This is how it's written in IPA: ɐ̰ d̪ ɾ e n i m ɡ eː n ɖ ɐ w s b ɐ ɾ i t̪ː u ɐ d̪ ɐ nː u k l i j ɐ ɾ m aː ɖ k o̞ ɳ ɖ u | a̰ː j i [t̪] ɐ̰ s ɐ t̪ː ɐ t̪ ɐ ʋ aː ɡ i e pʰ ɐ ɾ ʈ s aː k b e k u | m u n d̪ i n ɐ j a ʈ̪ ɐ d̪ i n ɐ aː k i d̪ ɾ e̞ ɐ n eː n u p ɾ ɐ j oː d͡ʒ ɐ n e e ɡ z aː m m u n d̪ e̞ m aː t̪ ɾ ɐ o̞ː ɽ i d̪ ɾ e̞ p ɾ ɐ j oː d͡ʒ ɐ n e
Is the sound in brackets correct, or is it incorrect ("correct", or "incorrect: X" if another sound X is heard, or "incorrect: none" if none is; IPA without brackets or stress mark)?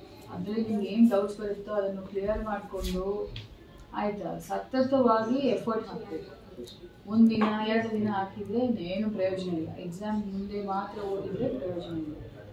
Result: correct